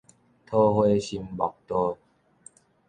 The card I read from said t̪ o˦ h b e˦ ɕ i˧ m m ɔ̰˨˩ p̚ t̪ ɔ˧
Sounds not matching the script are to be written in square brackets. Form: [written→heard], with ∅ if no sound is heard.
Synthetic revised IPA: [t̪→t̪ʰ] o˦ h [b→w] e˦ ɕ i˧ m [m→b] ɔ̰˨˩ [p̚→k̚] t̪ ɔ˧